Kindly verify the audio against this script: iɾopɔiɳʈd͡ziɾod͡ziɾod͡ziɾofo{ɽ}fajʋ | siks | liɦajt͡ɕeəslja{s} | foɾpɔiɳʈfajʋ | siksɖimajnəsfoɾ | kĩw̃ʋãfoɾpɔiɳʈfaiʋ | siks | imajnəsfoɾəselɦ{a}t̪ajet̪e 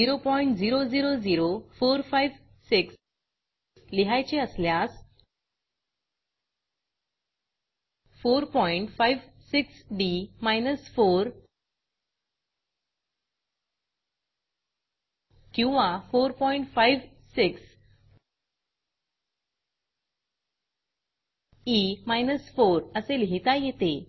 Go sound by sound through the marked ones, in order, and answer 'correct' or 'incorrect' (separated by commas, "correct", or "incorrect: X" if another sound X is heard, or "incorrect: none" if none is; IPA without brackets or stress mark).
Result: incorrect: ɾ, correct, incorrect: i